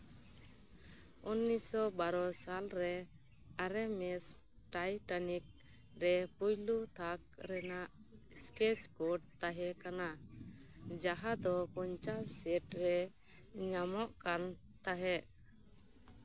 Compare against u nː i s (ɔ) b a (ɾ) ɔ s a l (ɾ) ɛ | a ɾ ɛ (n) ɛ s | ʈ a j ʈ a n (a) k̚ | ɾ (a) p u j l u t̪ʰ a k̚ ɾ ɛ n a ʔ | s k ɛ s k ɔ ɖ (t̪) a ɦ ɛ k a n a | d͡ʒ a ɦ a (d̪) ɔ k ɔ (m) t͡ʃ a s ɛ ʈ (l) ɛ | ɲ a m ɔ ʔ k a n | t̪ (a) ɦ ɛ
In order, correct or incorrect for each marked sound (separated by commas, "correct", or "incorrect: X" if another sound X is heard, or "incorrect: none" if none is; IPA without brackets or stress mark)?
correct, correct, correct, incorrect: m, incorrect: i, incorrect: ɛ, correct, correct, incorrect: ɲ, incorrect: ɾ, correct